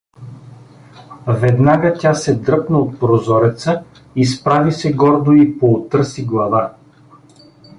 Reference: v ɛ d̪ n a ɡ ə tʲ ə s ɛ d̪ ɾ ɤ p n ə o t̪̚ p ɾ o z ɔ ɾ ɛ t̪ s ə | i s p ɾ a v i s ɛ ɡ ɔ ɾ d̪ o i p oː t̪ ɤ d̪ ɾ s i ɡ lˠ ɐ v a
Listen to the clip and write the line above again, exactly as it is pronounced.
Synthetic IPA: v ɛ d̪ n a ɡ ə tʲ a s ɛ d̪ ɾ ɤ p n ə o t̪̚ p ɾ o z ɔ ɾ ɛ t̪ s ə | i s p ɾ a v i s ɛ ɡ ɔ ɾ d̪ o i p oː t̪ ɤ ɾ s i ɡ lˠ ɐ v a